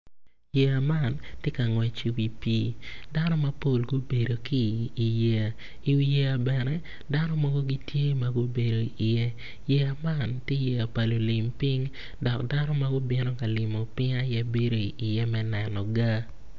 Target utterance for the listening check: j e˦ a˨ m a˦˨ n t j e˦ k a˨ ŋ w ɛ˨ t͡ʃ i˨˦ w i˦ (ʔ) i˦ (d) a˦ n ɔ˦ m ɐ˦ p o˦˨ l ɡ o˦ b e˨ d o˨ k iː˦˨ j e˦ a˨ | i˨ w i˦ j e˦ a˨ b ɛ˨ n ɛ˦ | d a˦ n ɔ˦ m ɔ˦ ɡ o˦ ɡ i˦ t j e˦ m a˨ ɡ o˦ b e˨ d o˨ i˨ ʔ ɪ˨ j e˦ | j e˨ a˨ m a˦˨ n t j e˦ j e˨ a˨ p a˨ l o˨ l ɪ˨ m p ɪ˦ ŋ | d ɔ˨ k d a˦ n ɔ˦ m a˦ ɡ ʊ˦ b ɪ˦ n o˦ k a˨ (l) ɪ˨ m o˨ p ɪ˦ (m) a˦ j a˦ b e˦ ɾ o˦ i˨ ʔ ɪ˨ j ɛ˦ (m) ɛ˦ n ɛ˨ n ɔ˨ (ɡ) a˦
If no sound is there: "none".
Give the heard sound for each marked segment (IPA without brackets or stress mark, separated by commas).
p, d, l, ŋ, m, ɡ